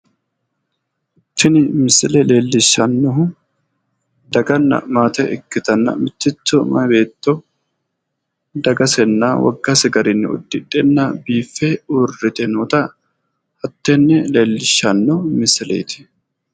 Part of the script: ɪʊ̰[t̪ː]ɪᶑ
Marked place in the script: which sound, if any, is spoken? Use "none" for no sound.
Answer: d̪ː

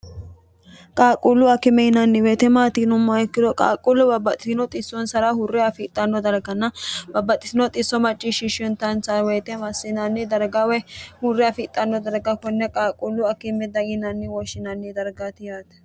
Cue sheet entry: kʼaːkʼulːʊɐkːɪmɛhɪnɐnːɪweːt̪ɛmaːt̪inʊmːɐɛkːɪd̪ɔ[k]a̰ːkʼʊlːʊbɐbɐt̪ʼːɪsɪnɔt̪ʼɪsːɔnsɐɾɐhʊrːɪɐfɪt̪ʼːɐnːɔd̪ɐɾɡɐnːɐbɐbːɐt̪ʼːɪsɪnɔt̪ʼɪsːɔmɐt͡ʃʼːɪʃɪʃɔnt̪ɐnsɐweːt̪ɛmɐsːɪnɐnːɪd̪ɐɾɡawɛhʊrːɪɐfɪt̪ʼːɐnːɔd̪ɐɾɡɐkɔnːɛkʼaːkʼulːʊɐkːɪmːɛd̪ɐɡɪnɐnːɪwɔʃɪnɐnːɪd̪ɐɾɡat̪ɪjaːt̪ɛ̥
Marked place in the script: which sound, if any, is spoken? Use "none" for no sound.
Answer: kʼ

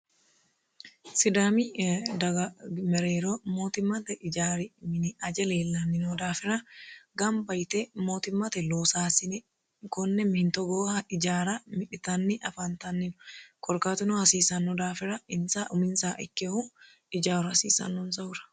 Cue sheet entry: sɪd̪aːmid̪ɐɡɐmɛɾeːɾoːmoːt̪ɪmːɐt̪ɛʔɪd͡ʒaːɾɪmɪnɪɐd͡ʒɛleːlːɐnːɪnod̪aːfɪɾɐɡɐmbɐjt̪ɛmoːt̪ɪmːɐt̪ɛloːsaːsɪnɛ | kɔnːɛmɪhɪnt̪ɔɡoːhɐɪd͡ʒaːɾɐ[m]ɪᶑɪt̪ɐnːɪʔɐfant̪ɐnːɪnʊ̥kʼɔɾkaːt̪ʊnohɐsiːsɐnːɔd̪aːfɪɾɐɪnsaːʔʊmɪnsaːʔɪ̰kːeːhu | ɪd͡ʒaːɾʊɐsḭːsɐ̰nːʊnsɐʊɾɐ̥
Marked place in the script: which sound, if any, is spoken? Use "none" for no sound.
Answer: m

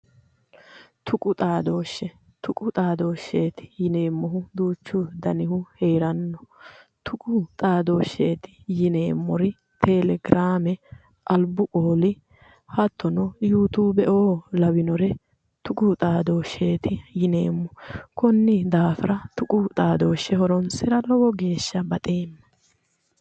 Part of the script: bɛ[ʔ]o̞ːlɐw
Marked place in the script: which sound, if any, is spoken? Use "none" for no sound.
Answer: ʔ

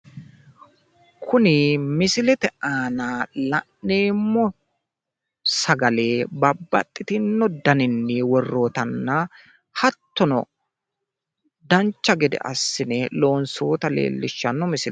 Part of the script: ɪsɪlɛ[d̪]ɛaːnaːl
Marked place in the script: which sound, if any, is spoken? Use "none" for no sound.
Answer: t̪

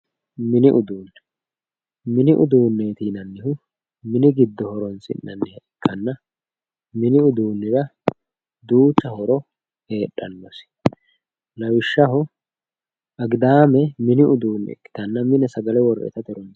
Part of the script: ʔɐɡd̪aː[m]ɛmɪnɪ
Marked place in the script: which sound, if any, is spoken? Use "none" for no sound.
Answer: m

